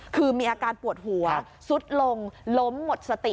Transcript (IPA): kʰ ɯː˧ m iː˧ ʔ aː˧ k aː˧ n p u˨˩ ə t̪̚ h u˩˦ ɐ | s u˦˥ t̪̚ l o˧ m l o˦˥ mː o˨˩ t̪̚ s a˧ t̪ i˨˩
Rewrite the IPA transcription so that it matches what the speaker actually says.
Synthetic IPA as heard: kʰ ɯː˧ m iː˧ ʔ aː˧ k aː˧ n p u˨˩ ə t̪̚ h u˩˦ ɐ | s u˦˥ t̪̚ l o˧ ŋ l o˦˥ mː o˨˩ t̪̚ s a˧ t̪ i˨˩